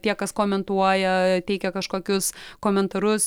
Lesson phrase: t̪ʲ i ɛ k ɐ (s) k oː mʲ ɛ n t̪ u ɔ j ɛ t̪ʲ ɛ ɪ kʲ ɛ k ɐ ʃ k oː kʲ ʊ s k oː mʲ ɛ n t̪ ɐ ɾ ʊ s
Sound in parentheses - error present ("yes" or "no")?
no